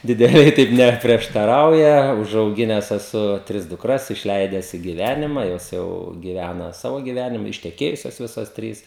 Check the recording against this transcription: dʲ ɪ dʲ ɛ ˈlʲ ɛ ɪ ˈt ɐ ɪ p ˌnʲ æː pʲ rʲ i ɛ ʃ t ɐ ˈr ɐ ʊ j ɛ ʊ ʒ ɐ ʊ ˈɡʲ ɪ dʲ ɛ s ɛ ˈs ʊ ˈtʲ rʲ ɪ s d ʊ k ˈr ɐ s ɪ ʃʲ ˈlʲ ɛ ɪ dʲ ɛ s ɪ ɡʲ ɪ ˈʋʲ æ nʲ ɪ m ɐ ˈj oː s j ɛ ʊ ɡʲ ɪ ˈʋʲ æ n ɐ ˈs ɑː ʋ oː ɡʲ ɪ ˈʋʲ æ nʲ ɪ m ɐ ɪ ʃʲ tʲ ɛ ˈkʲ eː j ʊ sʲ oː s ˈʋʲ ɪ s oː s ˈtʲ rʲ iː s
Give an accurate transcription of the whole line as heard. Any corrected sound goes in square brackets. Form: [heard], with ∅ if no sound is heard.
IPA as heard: dʲ ɪ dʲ ɛ ˈlʲ ɛ ɪ ˈt ɐ ɪ p ˌnʲ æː pʲ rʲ i ɛ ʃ t ɐ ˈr ɐ ʊ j ɛ ʊ ʒ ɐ ʊ ˈɡʲ ɪ [nʲ] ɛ s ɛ ˈs ʊ ˈtʲ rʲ ɪ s d ʊ k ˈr ɐ s ɪ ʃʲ ˈlʲ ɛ ɪ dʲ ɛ s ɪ ɡʲ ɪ ˈʋʲ æ nʲ ɪ m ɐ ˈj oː s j ɛ ʊ ɡʲ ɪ ˈʋʲ æ n ɐ ˈs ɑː ʋ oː ɡʲ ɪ ˈʋʲ æ nʲ ɪ m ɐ ɪ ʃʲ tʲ ɛ ˈkʲ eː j ʊ sʲ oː s ˈʋʲ ɪ s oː s ˈtʲ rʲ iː s